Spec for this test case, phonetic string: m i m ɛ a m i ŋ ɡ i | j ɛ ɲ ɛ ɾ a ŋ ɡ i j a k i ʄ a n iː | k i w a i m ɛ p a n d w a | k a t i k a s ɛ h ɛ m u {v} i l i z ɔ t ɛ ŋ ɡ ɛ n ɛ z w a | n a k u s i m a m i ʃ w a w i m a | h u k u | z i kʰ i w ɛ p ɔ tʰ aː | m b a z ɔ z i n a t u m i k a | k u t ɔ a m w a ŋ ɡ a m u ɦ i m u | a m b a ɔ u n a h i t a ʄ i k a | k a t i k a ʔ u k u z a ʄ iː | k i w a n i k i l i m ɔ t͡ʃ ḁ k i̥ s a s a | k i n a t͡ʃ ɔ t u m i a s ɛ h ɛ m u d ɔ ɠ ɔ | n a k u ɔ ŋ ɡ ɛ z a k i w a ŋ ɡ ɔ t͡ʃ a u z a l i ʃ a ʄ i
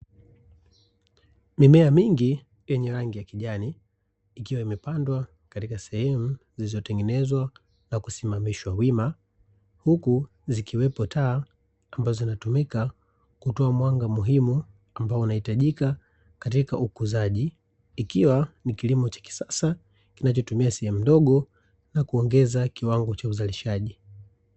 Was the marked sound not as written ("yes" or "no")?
yes